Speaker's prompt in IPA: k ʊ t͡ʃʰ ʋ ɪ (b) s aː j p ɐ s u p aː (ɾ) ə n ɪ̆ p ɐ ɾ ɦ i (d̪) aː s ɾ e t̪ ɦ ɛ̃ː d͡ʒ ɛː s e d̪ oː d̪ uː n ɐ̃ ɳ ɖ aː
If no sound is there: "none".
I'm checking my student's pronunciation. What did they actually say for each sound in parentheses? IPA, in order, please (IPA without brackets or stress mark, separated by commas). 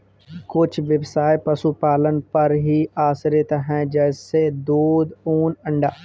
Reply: b, l, none